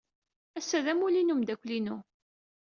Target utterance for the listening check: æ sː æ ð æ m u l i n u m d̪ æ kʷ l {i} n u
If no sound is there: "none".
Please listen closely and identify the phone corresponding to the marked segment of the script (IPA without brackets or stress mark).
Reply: i